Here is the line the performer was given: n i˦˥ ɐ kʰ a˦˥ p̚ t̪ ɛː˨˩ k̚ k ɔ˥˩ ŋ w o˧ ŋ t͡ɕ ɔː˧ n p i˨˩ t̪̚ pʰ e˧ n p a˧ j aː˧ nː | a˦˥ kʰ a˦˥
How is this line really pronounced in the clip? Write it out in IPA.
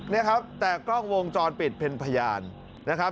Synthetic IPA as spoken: n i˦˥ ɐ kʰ a˦˥ p̚ t̪ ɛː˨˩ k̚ k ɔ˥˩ ŋ w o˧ ŋ t͡ɕ ɔː˧ n p i˨˩ t̪̚ pʰ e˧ n pʰ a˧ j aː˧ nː | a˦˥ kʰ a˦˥